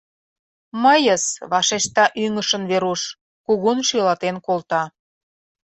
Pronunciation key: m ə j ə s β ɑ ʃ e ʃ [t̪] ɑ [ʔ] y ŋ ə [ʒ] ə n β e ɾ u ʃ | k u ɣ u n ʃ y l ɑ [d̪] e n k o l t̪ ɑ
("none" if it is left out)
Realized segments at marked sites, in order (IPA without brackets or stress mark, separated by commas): t̪, ʔ, ʃ, t̪